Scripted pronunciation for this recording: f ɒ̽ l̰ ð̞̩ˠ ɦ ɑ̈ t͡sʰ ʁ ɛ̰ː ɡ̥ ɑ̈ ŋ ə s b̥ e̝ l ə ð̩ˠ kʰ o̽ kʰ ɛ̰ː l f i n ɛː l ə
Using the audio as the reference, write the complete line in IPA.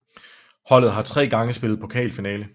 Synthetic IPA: h ɒ̽ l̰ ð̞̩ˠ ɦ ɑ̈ t͡sʰ ʁ ɛ̰ː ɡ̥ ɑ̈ ŋ ə s b̥ e̝ l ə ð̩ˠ pʰ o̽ kʰ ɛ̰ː l f i n ɛː l ə

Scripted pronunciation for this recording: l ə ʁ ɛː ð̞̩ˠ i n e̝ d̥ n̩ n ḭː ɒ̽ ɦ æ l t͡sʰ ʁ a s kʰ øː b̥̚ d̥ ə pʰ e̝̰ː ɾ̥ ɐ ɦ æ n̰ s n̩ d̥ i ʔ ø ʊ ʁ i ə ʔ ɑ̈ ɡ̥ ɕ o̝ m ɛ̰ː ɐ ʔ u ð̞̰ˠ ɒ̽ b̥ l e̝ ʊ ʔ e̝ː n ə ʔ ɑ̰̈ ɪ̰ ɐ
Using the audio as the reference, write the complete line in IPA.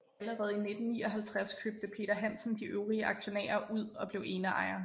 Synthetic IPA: l ə ʁ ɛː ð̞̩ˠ i n e̝ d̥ n̩ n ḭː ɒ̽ ɦ æ l t͡sʰ ʁ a s kʰ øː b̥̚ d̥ ə pʰ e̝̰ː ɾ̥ ɐ ɦ æ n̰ s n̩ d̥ i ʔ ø ʊ ʁ i ə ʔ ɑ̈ ɡ̥ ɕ o̝ n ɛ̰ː ɐ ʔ u ð̞̰ˠ ɒ̽ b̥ l e̝ ʊ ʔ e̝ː n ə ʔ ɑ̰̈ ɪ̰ ɐ

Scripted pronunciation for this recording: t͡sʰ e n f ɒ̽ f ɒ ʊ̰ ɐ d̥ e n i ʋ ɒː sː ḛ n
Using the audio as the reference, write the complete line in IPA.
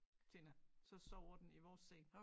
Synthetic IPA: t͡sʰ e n s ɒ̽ s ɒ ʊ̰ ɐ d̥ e n i ʋ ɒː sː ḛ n

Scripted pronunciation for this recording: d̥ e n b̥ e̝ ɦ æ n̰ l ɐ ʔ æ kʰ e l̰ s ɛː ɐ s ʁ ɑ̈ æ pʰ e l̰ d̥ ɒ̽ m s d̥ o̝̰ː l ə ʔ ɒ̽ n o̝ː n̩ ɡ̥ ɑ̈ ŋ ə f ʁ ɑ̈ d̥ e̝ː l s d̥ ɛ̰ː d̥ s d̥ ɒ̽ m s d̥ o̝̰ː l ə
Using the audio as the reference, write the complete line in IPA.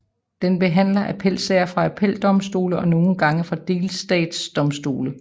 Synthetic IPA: d̥ e n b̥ e̝ ɦ æ n̰ l ɐ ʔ æ pʰ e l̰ s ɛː ɐ f ʁ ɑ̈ æ pʰ e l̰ d̥ ɒ̽ m s d̥ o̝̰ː l ə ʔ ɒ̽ n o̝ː n̩ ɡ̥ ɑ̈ ŋ ə f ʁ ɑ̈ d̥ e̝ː l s d̥ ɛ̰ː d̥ s d̥ ɒ̽ m s d̥ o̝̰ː l ə

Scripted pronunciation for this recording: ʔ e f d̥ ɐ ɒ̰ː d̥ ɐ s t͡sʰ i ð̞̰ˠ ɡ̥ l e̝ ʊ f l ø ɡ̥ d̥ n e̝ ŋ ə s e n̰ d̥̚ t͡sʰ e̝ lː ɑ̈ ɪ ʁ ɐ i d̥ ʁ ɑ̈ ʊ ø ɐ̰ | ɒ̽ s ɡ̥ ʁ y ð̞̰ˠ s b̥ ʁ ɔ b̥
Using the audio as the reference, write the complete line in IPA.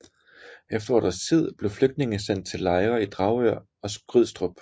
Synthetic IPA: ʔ e f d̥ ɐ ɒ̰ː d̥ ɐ s t͡sʰ i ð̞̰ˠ b̥ l e̝ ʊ f l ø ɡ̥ d̥ n e̝ ŋ ə s e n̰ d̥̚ t͡sʰ e̝ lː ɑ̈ ɪ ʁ ɐ i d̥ ʁ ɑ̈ ʊ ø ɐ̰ | ɒ̽ s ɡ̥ ʁ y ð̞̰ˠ s d̥ ʁ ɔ b̥

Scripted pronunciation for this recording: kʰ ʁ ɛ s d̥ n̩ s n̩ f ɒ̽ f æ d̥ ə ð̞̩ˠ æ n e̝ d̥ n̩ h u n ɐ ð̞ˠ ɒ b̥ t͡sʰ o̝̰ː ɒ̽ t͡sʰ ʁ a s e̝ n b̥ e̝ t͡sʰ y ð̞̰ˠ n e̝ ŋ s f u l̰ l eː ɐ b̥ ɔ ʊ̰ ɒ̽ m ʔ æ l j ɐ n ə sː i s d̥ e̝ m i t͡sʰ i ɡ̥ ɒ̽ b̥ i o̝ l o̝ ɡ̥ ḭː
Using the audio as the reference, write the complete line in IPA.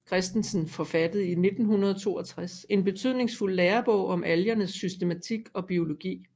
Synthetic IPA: kʰ ʁ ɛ s d̥ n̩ s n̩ f ɒ̽ f æ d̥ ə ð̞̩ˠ i n e̝ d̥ n̩ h u n ɐ ð̞ˠ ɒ t͡sʰ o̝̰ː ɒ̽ t͡sʰ ʁ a s e̝ n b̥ e̝ t͡sʰ y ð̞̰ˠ n e̝ ŋ s f u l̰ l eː ɐ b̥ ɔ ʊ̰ ɒ̽ m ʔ æ l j ɐ n ə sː y s d̥ e̝ m æ t͡sʰ i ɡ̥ ɒ̽ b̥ i o̝ l o̝ ɡ̥ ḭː

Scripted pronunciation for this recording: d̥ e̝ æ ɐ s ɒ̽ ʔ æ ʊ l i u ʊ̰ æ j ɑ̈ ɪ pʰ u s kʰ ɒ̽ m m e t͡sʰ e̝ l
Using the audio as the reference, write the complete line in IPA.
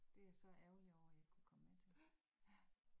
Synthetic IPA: d̥ e̝ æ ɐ s ɒ̽ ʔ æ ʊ l i ɒ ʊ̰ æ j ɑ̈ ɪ kʰ u kʰ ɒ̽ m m e t͡sʰ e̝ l

